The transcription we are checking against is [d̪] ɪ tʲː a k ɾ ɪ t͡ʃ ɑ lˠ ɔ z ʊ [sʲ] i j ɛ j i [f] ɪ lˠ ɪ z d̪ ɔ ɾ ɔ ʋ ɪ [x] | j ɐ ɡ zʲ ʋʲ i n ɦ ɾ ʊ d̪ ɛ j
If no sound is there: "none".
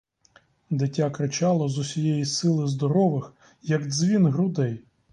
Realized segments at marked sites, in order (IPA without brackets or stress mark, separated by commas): d̪, sʲ, s, x